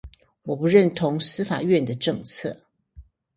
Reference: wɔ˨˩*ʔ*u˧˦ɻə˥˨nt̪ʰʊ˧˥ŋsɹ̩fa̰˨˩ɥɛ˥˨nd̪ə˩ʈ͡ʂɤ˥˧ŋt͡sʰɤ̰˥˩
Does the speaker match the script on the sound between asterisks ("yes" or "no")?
no